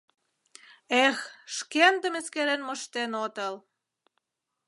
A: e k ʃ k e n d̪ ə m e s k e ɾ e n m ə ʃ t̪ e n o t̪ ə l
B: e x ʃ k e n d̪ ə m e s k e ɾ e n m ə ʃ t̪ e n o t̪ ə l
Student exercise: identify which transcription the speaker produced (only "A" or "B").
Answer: B